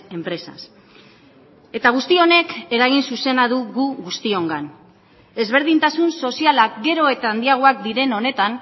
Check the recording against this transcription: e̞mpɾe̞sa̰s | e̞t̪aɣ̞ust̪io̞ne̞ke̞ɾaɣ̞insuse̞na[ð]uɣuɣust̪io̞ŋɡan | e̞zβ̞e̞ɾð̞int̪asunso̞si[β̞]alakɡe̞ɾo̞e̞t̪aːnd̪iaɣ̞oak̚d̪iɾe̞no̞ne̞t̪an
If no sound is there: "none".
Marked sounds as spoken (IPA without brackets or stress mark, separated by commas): ð, none